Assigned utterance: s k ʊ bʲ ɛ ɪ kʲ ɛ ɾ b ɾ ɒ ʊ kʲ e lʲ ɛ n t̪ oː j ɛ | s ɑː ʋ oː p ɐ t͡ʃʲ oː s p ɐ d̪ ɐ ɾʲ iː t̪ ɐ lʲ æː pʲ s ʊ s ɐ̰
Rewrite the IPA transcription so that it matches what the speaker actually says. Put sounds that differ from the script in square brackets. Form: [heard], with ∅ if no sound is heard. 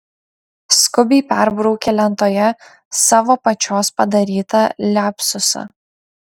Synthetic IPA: s k ʊ bʲ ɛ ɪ [pʲ] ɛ ɾ b ɾ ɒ ʊ kʲ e lʲ ɛ n t̪ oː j ɛ | s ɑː ʋ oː p ɐ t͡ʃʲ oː s p ɐ d̪ ɐ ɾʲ iː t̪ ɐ lʲ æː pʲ s ʊ s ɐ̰